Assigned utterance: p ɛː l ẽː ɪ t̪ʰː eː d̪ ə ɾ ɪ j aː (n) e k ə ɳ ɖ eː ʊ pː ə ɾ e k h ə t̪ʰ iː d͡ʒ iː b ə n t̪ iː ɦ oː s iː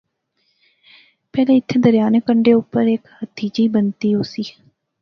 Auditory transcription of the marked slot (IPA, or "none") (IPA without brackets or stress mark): n